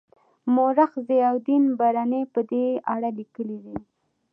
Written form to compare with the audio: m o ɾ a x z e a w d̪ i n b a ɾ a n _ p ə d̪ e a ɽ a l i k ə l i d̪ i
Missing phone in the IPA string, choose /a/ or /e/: e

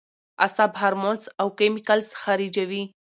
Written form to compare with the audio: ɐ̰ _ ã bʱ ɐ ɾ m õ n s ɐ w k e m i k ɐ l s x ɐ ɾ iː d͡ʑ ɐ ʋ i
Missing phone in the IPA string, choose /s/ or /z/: s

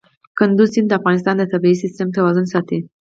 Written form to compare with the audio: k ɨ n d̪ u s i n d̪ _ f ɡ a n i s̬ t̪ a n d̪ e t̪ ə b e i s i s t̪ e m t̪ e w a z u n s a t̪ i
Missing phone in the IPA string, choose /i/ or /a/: a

